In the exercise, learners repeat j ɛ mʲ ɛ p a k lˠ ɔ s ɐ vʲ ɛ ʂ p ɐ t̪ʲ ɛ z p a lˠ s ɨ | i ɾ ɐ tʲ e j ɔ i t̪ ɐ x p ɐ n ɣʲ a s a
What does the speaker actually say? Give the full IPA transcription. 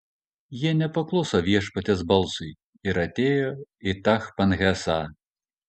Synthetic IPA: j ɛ nʲ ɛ p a k lˠ ɔ s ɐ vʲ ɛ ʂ p ɐ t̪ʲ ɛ z b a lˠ s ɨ | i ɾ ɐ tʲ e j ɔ i t̪ a x p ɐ n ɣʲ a s a